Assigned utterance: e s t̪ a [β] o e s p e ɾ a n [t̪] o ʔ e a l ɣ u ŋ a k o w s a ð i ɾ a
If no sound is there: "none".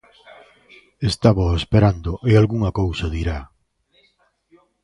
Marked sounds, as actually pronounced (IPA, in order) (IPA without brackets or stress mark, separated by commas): β, d̪